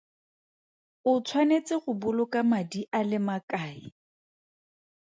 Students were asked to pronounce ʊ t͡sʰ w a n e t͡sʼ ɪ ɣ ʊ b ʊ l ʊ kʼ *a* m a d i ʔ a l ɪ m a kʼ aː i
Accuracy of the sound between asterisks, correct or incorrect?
correct